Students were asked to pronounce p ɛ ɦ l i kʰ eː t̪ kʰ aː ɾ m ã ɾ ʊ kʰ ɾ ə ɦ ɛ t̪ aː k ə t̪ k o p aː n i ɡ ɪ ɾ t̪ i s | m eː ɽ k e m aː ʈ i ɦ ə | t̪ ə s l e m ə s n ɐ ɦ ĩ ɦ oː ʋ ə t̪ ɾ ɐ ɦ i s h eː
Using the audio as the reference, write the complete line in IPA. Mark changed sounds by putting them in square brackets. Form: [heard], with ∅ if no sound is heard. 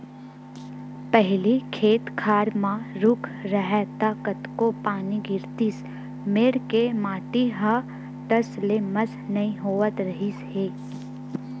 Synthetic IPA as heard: p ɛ ɦ l i kʰ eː t̪ kʰ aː ɾ m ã ɾ ʊ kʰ ɾ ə ɦ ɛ t̪ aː k ə t̪ k o p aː n i ɡ ɪ ɾ t̪ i s | m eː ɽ k e m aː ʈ i ɦ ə | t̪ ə s l e m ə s n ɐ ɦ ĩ ɦ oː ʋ ə t̪ ɾ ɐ ɦ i s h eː